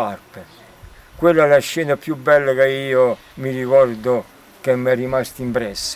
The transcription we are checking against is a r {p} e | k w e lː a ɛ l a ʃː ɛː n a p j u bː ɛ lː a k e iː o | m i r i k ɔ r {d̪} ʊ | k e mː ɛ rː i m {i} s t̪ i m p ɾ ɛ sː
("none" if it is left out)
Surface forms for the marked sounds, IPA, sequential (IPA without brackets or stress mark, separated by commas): p, d̪, a